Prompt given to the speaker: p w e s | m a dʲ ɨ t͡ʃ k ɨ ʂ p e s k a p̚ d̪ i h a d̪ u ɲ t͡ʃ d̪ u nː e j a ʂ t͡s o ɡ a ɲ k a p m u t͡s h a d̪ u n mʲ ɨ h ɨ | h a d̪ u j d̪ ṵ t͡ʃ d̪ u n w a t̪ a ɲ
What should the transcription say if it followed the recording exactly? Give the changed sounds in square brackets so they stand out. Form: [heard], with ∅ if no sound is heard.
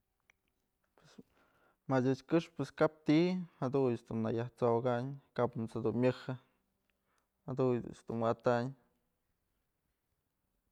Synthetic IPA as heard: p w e s | m a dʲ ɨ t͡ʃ k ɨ ʂ p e s k a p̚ [t̪] i h a d̪ u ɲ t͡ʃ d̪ u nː [a] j a [h] t͡s o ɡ a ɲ k a p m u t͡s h a d̪ u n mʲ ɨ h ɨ | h a d̪ u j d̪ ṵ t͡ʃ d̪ u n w a t̪ a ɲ